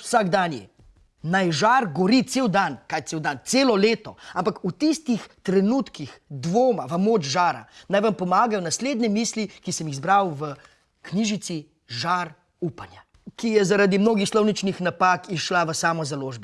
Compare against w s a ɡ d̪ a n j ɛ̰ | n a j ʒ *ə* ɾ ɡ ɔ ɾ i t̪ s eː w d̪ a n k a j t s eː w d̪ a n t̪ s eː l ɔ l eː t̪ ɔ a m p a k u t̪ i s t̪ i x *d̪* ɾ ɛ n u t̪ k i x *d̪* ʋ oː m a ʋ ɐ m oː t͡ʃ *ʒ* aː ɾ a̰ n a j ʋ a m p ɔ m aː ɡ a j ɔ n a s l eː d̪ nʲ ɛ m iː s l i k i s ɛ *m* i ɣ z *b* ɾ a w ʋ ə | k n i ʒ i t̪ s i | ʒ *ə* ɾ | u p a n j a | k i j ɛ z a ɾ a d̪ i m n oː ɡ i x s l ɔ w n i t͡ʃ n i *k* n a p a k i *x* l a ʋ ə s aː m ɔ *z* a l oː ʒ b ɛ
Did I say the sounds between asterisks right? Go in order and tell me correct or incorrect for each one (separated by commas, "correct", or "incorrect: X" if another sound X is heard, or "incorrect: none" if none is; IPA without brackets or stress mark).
incorrect: a, incorrect: t̪, correct, correct, correct, correct, incorrect: a, incorrect: x, incorrect: ʃ, correct